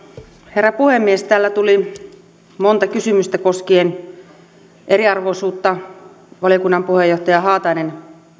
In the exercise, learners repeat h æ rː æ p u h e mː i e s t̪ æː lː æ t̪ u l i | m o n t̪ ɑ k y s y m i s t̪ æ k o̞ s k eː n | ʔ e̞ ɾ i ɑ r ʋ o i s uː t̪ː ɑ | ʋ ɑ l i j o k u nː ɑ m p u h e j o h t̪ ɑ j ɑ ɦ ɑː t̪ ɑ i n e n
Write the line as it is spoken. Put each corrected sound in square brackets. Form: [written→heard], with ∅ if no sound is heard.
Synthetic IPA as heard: h [æ→e] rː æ p u h e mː i e s t̪ æː lː æ t̪ u l i | m o n t̪ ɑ k y s y m [i→y] s t̪ æ k o̞ s k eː n | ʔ e̞ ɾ i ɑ r ʋ o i s uː t̪ː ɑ | ʋ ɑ l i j o k u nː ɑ m p u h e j o h t̪ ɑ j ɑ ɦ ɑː t̪ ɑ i n e n

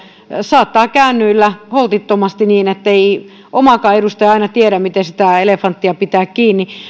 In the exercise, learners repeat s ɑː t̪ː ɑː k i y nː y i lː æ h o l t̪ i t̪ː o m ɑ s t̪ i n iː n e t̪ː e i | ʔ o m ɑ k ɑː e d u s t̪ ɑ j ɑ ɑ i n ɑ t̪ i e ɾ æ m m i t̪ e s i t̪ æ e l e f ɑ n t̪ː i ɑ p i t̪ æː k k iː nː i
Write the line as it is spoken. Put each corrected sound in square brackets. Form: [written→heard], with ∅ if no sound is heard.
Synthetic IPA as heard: s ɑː t̪ː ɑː k [i→æ] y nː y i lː æ h o l t̪ i t̪ː o m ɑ s t̪ i n iː n e t̪ː e i | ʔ o m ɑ k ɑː e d u s t̪ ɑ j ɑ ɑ i n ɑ t̪ i e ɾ æ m m i t̪ e s i t̪ æ e l e f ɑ n t̪ː i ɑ p i t̪ æː k k iː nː i

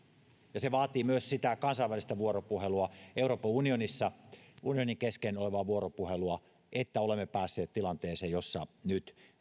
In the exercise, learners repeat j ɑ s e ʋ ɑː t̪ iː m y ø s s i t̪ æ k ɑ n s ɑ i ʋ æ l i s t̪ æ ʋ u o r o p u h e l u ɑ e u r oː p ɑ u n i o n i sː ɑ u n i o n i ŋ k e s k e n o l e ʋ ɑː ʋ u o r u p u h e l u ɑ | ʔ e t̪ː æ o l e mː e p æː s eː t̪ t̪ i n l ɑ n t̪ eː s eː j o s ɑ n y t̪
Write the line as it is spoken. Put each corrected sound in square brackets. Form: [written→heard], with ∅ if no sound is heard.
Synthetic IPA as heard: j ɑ s e ʋ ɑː t̪ iː m y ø s s i t̪ æ k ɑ n s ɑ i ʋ æ l i s t̪ æ ʋ u o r o p u h e l u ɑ e u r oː p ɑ u n i o n i sː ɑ u n i o n i ŋ k e s k e n o l e ʋ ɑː ʋ u o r [u→o] p u h e l u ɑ | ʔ e t̪ː æ o l e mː e p æː [s→sː] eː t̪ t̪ i [n→∅] l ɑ n t̪ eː s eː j o [s→sː] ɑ n y t̪

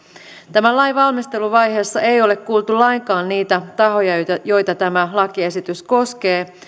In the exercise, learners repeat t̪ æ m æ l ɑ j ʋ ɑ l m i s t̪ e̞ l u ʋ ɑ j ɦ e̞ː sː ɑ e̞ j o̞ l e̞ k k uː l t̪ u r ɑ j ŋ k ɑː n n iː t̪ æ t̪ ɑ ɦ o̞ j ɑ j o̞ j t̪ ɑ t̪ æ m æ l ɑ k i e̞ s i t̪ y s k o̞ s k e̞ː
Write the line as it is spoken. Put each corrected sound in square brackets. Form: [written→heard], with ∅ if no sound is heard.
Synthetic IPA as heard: t̪ æ m æ l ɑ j ʋ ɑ l m i s t̪ e̞ l u ʋ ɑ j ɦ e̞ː sː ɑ e̞ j o̞ l e̞ k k uː l t̪ u [r→l] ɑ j ŋ k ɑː n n iː t̪ æ t̪ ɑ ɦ o̞ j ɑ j o̞ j t̪ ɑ t̪ æ m æ l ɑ k i e̞ s i t̪ y s k o̞ s k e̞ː

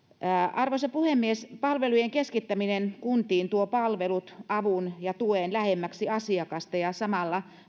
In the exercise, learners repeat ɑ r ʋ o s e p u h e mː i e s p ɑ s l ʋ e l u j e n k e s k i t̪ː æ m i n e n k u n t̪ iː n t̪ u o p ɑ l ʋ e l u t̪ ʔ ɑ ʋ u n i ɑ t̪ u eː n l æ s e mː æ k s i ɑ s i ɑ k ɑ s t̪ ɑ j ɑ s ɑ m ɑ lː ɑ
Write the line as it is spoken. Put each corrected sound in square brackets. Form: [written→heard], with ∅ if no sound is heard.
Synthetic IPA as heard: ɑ r ʋ o s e p u h e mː i e s p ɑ [s→∅] l ʋ e l u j e [n→ŋ] k e s k i t̪ː æ m i n e n k u n t̪ iː n t̪ u o p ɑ l ʋ e l u t̪ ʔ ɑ ʋ u n [i→j] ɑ t̪ u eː n l æ [s→h] e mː æ k s i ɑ s i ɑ k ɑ s t̪ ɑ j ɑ s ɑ m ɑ lː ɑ

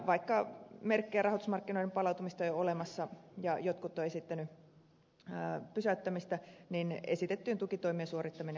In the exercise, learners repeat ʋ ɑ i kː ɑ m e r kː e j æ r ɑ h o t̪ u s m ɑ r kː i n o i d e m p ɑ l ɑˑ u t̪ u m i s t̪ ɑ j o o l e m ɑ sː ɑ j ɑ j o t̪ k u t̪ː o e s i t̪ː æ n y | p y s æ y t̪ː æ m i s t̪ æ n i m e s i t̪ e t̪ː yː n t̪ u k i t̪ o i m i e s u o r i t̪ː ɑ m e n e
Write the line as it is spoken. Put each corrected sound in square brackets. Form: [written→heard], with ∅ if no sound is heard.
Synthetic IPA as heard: ʋ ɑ i kː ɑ m e r kː e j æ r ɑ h o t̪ u s m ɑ r kː i n o i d e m p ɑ l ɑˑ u t̪ u m i s t̪ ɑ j o o l e m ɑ sː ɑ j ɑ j o t̪ k u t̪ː o e s i t̪ː æ n y | p y s æ y t̪ː æ m i s t̪ æ n i [m→n] e s i t̪ e t̪ː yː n t̪ u k i t̪ o i m i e s u o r i t̪ː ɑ m [e→i] n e

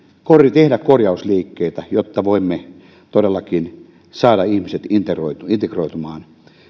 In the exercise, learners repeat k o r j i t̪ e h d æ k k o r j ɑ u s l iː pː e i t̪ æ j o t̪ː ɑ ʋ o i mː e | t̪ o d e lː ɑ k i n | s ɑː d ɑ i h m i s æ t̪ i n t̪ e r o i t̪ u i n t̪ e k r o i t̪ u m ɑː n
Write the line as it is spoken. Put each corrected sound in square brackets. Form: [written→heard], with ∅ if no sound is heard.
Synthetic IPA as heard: k o r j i t̪ e h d æ k k o r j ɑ u s l iː [pː→kː] e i t̪ æ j o t̪ː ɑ ʋ o i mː e | t̪ o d e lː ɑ k i n | s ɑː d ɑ i h m i s [æ→e] t̪ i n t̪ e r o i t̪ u i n t̪ e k r o i t̪ u m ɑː n

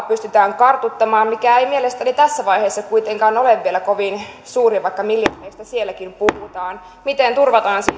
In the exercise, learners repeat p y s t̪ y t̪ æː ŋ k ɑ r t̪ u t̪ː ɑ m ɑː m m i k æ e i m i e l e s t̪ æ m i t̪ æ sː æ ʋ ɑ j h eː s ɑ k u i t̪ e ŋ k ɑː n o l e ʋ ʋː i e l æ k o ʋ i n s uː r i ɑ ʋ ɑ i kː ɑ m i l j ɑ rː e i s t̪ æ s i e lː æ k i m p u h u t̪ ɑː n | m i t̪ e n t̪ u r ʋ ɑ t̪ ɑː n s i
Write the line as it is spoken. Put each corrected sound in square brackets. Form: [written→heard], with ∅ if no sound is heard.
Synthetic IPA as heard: p y s t̪ y t̪ æː ŋ k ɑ r t̪ u t̪ː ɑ m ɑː m m i k æ e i m i e l e s t̪ æ [m→n] i t̪ æ sː æ ʋ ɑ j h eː [s→sː] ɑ k u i t̪ e ŋ k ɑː n o l e ʋ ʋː i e l æ k o ʋ i n s uː r i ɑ ʋ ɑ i kː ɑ m i l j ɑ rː e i s t̪ æ s i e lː æ k i m p u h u t̪ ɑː n | m i t̪ e n t̪ u r ʋ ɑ t̪ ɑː n s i

